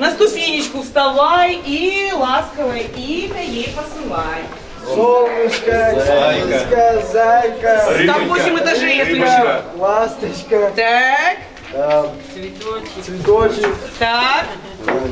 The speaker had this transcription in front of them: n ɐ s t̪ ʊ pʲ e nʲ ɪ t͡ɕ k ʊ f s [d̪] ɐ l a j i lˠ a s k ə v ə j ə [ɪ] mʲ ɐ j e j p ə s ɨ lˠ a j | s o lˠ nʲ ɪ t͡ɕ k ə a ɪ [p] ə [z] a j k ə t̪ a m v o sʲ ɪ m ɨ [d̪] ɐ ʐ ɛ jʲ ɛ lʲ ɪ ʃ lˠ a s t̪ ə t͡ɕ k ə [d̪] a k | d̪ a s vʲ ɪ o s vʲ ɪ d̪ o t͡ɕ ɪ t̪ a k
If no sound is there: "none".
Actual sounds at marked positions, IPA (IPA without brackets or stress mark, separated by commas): t̪, i, k, z, t̪, t̪